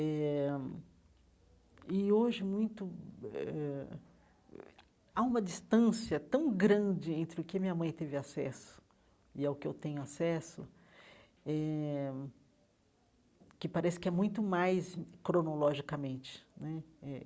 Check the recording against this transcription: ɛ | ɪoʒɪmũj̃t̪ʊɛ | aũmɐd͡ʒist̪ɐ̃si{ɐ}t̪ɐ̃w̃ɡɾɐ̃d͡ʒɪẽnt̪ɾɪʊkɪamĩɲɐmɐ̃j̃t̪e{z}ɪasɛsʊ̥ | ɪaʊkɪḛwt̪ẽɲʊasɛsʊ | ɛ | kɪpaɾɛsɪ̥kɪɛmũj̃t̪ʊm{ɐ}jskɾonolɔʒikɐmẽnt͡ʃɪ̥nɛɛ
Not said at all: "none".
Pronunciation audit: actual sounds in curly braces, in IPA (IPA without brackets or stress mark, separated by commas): ɐ, v, a